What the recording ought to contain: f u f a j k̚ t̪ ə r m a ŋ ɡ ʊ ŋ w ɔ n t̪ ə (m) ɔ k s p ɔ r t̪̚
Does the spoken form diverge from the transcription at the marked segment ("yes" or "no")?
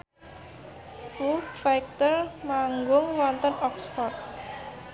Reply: yes